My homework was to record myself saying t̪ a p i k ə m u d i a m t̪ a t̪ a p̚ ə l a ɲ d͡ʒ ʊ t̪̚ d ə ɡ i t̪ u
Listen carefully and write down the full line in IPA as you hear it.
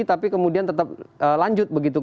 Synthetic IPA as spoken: t̪ a p i k ə m u d i a n t̪ ə t̪ a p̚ ə l a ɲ d͡ʒ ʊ t̪̚ b ə ɡ i t̪ u